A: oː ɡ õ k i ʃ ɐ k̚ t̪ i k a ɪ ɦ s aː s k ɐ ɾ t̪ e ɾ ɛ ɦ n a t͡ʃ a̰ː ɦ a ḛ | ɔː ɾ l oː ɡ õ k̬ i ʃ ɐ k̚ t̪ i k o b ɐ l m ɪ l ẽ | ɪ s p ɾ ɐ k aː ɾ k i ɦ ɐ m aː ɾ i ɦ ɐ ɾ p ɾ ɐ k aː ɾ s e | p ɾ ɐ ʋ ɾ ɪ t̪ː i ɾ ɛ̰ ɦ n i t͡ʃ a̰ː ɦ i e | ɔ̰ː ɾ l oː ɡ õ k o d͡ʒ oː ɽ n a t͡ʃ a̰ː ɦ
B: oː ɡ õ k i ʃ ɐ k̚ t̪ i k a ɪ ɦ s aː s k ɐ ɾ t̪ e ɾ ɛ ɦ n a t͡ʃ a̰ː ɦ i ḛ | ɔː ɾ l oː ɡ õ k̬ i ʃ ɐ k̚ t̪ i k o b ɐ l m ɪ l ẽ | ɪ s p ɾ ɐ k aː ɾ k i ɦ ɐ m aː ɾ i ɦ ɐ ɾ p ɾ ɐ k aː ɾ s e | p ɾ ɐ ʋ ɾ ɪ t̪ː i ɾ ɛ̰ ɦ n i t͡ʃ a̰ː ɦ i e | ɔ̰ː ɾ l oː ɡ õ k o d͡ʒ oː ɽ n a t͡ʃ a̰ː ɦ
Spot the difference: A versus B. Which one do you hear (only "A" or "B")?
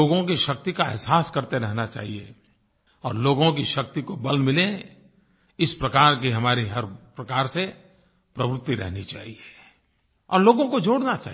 B